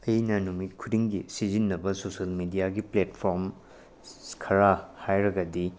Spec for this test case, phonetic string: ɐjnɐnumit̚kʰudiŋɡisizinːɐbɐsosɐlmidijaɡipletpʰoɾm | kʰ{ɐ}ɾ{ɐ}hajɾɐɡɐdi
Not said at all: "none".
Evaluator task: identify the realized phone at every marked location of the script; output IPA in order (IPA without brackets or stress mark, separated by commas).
ɐ, a